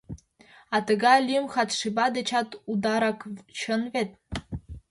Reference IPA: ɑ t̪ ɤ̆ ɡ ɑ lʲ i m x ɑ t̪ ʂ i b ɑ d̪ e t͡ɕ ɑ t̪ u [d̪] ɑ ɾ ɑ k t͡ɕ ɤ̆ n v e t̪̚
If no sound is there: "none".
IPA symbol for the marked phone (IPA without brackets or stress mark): d̪